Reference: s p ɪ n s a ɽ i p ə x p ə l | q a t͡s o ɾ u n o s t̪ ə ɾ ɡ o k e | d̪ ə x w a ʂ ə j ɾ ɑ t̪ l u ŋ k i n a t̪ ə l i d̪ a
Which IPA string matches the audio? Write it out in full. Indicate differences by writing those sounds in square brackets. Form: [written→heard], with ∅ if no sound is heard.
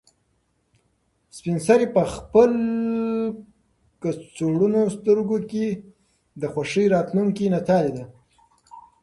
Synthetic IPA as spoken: s p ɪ n s a [ɽ→ɾ] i p ə x p ə l | [q→k] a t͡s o [ɾ→ɽ] u n o s t̪ ə ɾ ɡ o k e | d̪ ə x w a ʂ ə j ɾ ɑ t̪ l u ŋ k i n a t̪ [ə→ɑ] l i d̪ a